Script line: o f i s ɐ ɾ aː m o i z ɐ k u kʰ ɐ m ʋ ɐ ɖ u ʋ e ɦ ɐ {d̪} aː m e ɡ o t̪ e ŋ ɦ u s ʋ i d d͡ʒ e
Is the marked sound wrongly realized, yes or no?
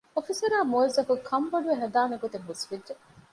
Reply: no